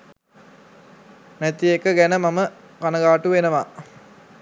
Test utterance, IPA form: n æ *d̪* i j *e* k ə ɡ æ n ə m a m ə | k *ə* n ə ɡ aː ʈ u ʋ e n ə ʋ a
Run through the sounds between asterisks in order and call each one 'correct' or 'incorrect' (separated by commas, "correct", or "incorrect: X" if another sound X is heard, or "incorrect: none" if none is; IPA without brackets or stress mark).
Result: incorrect: t̪, correct, incorrect: a